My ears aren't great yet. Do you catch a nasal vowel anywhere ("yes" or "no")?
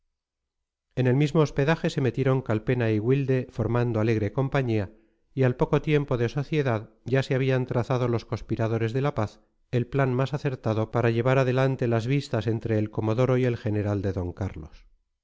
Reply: no